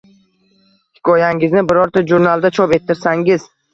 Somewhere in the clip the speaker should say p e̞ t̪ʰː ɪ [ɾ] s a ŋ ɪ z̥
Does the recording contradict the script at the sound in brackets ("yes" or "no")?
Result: no